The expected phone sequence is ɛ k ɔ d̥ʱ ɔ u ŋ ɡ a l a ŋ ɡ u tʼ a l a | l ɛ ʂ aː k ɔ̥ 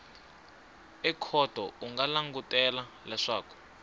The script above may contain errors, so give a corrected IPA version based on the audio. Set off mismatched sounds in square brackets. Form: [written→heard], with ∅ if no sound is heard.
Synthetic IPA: ɛ [k→kʰ] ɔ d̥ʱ ɔ u ŋ ɡ a l a ŋ ɡ u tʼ [a→ɛ] l a | l ɛ ʂ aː k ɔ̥